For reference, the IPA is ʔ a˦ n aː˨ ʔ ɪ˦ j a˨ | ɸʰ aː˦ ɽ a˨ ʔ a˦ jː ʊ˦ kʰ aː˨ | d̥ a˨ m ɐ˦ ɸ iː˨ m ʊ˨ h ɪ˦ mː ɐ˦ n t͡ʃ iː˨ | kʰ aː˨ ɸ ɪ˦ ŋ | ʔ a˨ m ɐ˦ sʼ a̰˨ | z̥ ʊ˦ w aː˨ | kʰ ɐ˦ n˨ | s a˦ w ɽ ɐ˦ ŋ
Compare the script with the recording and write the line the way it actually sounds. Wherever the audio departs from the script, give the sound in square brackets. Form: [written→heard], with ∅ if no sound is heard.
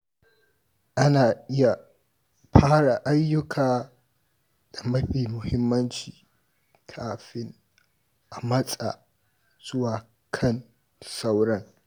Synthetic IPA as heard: ʔ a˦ n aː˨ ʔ ɪ˦ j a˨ | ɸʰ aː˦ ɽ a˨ ʔ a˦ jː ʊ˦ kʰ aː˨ | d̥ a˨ m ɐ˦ ɸ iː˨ m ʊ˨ h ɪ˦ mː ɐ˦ n t͡ʃ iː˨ | kʰ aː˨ ɸ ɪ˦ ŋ | ʔ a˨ m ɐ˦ sʼ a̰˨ | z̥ ʊ˦ w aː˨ | kʰ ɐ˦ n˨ | s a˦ w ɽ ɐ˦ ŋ